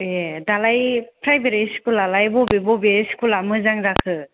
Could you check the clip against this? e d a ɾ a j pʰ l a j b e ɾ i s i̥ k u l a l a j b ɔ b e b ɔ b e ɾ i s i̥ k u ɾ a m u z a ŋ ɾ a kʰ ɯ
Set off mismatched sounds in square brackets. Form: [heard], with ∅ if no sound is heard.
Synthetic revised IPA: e d a [l] a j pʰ [ɾ] a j b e ɾ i s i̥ k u l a l a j b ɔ b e b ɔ b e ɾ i s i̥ k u [l] a m [ɯ] z a ŋ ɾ a kʰ ɯ

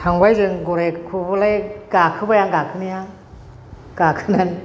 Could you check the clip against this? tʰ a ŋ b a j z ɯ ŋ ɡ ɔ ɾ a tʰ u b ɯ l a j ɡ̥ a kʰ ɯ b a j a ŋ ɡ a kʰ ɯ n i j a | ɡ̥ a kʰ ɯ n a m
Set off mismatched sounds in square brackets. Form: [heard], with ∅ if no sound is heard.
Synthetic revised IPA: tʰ a ŋ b a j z ɯ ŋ ɡ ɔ ɾ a [kʰ] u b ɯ l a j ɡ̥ a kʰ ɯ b a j a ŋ ɡ a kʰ ɯ n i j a | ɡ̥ a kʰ ɯ n a [n]

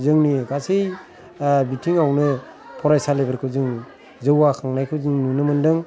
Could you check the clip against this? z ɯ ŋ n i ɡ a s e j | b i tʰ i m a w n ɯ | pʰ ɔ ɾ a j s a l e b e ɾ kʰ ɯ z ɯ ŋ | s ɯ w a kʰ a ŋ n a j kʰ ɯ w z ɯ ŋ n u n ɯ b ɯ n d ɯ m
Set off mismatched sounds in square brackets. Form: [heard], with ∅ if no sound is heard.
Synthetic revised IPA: z ɯ ŋ n i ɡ a s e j | b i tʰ i [ŋ] a w n ɯ | pʰ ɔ ɾ a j s a l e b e ɾ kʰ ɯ z ɯ ŋ | [z] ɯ w a kʰ a ŋ n a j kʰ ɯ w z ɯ ŋ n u n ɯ [m] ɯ n d ɯ [ŋ]

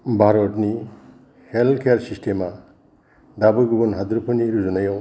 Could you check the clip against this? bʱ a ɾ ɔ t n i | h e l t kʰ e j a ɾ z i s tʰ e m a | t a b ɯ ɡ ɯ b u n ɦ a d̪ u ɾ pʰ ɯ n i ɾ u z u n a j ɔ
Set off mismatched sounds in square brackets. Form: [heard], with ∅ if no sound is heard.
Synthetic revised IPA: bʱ a ɾ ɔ t n i | h e l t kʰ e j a ɾ [s] i s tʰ e m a | [d] a b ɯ ɡ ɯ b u n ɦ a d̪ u ɾ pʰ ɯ n i ɾ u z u n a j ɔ

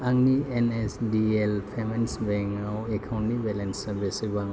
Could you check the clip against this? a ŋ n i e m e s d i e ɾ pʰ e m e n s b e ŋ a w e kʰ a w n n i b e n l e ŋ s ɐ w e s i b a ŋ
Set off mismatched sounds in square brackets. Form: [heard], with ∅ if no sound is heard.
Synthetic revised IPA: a ŋ n i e [n] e s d i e [l] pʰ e m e n s b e ŋ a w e kʰ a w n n i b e [∅] l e [n] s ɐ [b] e s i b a ŋ

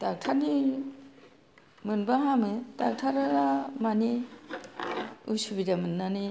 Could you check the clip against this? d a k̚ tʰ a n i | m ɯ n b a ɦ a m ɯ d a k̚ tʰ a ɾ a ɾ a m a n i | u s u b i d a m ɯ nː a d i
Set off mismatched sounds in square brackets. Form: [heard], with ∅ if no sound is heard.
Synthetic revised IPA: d a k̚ tʰ a n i | m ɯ n b a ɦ a m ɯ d a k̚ tʰ a ɾ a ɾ a m a n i | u s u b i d a m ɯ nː a [n] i

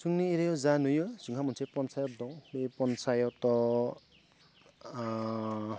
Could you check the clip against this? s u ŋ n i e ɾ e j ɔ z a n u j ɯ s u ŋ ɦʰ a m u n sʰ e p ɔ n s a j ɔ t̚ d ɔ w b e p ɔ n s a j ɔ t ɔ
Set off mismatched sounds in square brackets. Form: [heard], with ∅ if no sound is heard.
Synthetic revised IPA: s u ŋ n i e ɾ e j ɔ z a n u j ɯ s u ŋ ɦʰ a m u n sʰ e p ɔ n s a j ɔ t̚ d ɔ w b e p ɔ n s a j ɔ t ɔ

